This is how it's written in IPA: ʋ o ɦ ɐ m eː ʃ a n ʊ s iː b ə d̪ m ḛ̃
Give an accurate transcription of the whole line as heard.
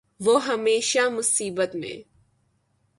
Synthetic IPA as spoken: ʋ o ɦ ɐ m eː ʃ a m ʊ s iː b ə t̪ m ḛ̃